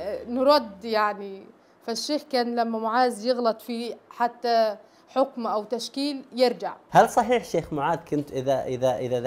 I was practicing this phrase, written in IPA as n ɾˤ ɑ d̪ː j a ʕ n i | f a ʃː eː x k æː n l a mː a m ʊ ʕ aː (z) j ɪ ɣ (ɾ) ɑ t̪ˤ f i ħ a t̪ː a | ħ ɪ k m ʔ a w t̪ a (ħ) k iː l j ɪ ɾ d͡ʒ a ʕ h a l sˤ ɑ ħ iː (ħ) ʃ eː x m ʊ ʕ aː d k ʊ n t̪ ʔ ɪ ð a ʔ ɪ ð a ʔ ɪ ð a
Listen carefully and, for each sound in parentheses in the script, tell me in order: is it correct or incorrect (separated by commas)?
correct, incorrect, incorrect, correct